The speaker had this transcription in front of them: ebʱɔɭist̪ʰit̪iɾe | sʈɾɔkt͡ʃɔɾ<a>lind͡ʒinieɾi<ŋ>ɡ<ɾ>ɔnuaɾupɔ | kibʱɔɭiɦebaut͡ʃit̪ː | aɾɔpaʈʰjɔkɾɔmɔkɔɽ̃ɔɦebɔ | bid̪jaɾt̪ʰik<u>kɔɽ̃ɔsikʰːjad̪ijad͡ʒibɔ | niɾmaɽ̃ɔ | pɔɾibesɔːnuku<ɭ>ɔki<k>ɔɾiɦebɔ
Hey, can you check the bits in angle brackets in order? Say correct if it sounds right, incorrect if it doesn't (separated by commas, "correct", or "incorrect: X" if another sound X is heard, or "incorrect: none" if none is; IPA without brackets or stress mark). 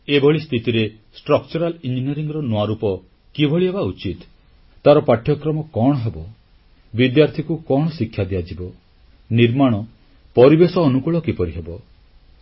correct, correct, correct, correct, correct, incorrect: p